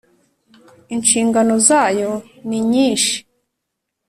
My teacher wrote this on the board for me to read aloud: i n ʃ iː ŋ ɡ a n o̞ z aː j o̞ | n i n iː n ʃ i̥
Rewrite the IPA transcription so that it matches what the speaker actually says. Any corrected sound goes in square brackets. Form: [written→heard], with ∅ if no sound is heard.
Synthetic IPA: i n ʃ iː ŋ ɡ a n o̞ z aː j o̞ | n i [n→ɲ] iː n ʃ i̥